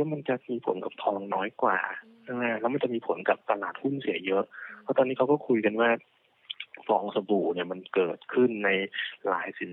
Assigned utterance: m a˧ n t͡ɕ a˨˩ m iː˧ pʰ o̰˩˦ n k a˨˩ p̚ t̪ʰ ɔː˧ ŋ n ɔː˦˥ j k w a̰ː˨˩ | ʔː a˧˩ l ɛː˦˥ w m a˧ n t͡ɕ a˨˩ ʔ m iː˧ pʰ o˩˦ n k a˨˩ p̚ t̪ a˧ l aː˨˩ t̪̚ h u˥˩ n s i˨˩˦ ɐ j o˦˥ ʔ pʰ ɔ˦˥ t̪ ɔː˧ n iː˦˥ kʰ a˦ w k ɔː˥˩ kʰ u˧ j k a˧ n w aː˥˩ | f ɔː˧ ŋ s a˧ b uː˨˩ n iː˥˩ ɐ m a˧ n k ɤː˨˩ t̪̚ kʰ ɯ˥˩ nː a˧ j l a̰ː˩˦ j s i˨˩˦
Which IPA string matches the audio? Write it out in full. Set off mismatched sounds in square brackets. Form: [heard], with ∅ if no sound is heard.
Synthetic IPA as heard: m a˧ n t͡ɕ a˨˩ m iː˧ pʰ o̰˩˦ n k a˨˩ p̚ t̪ʰ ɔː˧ ŋ n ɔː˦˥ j k w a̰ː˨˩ | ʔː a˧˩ l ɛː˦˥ w m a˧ n t͡ɕ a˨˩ ʔ m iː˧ pʰ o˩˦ n k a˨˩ p̚ t̪ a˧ l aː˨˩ t̪̚ h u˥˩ n s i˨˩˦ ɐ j [ɤ˦˥] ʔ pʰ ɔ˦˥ t̪ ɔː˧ n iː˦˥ kʰ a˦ w k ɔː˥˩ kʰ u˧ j k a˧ n w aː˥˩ | f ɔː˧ ŋ s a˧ b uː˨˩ n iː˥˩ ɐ m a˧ n k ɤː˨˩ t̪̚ kʰ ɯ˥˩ nː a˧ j l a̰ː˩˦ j s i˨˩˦